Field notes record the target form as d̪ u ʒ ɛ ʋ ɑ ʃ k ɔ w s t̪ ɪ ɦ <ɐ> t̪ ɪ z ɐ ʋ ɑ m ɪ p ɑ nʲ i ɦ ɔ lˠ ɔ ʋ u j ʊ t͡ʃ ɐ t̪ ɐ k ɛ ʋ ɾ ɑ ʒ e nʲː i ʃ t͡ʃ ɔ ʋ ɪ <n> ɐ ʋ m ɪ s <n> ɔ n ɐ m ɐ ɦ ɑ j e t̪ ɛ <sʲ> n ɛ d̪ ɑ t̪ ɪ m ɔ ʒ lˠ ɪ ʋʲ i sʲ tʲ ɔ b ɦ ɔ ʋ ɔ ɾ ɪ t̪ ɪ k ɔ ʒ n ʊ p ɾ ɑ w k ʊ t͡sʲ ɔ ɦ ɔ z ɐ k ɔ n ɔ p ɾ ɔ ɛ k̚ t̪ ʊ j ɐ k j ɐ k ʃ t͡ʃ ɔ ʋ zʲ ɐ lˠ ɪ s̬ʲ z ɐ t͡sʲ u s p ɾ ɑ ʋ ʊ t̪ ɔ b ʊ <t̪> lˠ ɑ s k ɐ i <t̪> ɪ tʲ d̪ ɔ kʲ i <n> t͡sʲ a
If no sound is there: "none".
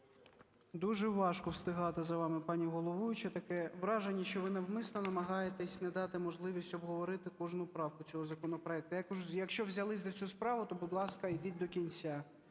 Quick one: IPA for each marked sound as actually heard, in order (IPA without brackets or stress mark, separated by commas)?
ɑ, n, n, sʲ, d̪, d̪, n